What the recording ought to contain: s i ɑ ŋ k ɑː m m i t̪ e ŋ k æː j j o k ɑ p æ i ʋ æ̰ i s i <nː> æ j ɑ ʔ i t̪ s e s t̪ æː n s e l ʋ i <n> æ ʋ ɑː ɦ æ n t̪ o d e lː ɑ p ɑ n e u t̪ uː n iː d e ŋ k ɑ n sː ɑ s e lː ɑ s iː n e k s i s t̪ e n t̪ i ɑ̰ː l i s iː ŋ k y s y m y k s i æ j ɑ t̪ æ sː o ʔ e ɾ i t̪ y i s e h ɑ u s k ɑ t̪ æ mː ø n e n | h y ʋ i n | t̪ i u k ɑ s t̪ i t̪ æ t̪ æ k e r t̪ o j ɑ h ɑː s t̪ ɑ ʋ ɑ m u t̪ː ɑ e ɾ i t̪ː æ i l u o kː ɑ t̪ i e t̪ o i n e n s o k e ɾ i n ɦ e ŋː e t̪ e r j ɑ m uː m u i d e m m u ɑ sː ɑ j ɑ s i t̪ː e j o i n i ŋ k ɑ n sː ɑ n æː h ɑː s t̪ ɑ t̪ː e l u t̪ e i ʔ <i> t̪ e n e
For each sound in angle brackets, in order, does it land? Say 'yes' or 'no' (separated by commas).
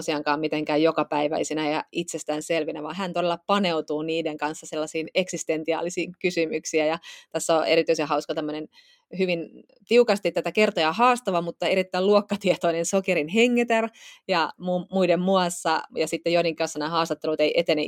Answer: no, yes, no